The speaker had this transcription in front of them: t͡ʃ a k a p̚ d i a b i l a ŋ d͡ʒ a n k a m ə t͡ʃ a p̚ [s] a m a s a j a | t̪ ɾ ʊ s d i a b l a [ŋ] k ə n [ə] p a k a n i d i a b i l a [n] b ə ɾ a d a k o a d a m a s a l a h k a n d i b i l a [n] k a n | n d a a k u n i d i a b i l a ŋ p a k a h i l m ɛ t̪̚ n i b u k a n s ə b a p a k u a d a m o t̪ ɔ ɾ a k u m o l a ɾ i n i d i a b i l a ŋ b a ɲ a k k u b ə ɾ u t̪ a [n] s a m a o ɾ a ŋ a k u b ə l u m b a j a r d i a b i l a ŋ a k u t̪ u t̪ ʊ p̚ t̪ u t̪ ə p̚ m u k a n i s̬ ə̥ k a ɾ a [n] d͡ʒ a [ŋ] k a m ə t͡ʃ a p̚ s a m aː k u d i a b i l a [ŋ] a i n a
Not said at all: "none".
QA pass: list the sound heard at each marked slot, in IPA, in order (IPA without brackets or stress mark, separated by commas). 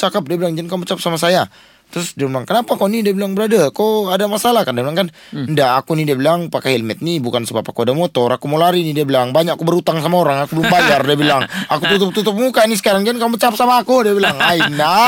s, ŋ, a, ŋ, ŋ, ŋ, ŋ, n, ŋ